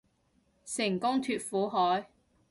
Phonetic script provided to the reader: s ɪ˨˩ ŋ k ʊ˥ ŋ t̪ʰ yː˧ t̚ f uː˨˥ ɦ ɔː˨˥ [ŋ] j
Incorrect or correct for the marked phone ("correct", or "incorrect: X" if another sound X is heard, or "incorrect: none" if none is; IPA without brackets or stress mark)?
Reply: incorrect: none